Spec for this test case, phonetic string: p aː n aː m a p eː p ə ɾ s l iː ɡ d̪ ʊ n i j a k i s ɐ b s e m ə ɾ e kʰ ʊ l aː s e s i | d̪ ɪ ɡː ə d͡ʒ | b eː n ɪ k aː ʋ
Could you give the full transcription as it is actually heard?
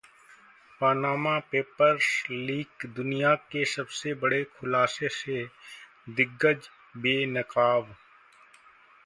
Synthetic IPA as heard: p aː n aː m a p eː p ə ɾ s l iː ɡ d̪ ʊ n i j a k e s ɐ b s e b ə ɽ e kʰ ʊ l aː s e s e | d̪ ɪ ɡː ə d͡ʒ | b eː n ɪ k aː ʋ